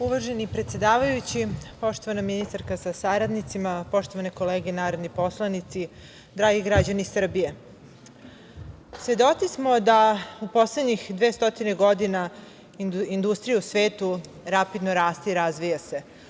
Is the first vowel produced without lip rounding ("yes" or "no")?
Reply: no